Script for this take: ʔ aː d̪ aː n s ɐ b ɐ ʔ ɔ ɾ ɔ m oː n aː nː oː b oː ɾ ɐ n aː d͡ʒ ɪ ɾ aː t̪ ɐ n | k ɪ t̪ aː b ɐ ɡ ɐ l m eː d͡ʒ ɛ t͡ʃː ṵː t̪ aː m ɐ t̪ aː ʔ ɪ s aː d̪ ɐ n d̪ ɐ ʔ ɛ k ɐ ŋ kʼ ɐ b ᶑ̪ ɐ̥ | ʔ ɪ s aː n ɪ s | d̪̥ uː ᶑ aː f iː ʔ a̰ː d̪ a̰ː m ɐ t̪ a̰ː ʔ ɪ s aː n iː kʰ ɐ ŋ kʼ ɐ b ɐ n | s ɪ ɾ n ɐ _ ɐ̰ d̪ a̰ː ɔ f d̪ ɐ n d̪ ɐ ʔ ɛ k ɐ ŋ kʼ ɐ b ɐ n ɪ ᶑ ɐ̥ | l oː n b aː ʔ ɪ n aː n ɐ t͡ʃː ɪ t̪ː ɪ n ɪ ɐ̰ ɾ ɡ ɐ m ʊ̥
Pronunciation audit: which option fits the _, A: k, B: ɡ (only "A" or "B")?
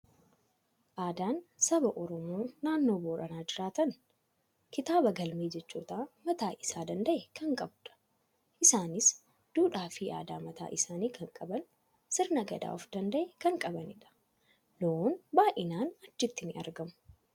B